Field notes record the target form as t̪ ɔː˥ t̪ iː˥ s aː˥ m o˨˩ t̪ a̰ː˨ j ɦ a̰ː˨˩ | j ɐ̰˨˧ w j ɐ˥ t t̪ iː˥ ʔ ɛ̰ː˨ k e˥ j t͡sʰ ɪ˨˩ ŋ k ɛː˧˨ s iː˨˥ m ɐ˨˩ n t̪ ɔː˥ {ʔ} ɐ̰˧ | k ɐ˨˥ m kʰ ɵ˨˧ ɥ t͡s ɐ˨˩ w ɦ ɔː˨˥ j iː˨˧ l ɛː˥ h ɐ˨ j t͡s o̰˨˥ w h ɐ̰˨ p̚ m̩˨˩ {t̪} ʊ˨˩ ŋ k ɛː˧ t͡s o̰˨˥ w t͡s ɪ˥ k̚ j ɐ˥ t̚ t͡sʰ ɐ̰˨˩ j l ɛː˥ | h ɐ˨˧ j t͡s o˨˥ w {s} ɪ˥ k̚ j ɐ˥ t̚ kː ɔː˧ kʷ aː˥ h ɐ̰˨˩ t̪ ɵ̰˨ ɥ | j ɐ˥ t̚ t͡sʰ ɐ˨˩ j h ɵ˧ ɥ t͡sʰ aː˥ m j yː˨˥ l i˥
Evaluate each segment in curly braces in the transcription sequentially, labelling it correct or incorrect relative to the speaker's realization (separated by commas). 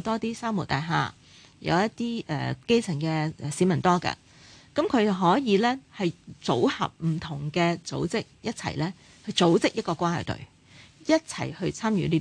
incorrect, incorrect, incorrect